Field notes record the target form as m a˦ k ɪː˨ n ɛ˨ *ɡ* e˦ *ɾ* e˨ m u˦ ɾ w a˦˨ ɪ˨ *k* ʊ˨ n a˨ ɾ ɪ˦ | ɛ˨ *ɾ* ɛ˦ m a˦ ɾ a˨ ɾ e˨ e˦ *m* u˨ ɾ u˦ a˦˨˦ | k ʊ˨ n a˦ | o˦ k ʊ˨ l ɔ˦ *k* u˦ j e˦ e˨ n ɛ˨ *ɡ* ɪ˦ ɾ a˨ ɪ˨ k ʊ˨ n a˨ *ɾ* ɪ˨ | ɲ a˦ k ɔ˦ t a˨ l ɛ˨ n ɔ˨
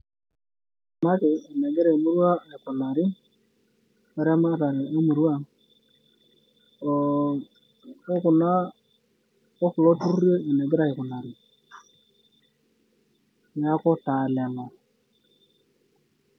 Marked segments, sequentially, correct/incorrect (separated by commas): correct, correct, correct, correct, correct, incorrect, correct, correct